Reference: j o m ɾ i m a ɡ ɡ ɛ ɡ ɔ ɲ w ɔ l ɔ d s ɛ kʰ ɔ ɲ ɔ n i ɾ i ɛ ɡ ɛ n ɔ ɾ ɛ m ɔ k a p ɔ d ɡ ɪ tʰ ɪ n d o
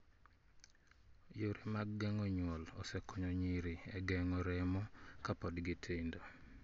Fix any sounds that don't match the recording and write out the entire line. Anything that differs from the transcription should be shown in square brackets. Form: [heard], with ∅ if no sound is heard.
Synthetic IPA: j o [∅] ɾ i m a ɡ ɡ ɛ [ŋ] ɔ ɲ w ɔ l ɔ [∅] s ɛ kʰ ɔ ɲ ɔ [ɲ] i ɾ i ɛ ɡ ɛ [ŋ] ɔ ɾ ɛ m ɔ k a p ɔ d ɡ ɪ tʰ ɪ n d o